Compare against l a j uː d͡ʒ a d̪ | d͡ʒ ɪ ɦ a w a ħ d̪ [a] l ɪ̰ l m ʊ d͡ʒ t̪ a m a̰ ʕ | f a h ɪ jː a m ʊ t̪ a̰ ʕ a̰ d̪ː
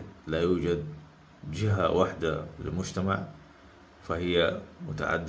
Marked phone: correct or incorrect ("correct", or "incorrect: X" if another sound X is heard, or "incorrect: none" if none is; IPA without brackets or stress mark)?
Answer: correct